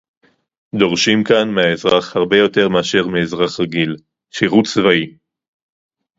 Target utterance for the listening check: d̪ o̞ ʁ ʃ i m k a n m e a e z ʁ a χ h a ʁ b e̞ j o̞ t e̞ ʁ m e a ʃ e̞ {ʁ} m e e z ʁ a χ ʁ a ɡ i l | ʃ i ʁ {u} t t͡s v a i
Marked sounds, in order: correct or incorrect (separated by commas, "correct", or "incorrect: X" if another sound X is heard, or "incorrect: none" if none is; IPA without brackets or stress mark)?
correct, correct